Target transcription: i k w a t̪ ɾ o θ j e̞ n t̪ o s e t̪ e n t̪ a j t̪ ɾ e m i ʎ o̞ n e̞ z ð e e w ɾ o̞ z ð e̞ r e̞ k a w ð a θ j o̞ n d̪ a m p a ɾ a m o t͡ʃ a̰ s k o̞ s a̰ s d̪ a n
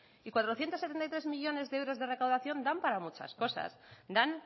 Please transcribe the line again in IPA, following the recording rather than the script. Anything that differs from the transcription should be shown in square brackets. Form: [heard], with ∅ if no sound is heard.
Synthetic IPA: i k w a t̪ ɾ o θ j e̞ n t̪ o s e t̪ e n t̪ a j t̪ ɾ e m i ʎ o̞ n e̞ z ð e e w ɾ o̞ z ð e̞ r e̞ k a w ð a θ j o̞ n d̪ a m p a ɾ a m [u] t͡ʃ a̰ s k o̞ s a̰ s d̪ a n

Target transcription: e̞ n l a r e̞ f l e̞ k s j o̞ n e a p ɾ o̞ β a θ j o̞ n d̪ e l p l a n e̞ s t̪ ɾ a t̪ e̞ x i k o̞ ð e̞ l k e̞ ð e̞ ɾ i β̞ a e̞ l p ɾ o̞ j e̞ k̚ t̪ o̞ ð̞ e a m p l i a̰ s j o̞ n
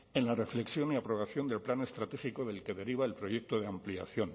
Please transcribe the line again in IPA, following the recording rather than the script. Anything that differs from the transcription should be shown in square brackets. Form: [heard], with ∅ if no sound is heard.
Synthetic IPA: e̞ n l a r e̞ f l e̞ k s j o̞ n [i] a p ɾ o̞ β a θ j o̞ n d̪ e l p l a n e̞ s t̪ ɾ a t̪ e̞ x i k o̞ ð e̞ l k e̞ ð e̞ ɾ i β̞ a e̞ l p ɾ o̞ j e̞ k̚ t̪ o̞ ð̞ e a m p l i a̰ [θ] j o̞ n

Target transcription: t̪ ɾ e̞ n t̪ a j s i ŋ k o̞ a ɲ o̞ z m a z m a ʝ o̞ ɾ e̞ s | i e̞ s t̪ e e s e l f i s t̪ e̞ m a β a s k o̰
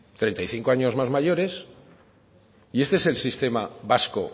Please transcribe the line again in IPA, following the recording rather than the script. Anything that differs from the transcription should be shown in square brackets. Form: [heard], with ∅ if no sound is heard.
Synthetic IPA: t̪ ɾ e̞ n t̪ a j [θ] i ŋ k o̞ a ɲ o̞ z m a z m a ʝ o̞ ɾ e̞ s | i e̞ s t̪ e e s e l [s] i s t̪ e̞ m a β a s k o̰

